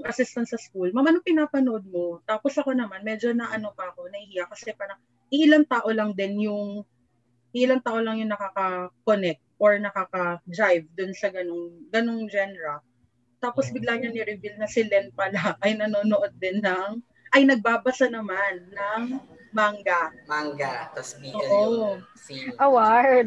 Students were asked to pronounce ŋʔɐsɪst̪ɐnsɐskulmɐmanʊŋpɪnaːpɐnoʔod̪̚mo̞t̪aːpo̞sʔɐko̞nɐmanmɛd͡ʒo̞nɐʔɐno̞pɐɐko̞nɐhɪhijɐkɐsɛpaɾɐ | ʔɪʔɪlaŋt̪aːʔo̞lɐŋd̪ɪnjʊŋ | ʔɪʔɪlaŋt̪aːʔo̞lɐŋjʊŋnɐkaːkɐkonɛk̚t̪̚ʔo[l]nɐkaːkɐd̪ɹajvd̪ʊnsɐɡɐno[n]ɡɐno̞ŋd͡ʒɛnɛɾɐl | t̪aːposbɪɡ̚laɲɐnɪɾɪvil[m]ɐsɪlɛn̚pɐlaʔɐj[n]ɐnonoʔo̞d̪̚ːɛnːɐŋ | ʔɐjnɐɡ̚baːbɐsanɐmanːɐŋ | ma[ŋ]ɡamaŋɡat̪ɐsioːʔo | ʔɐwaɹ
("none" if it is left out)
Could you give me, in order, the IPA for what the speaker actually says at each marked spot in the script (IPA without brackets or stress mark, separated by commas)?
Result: ɹ, ŋ, n, n, ŋ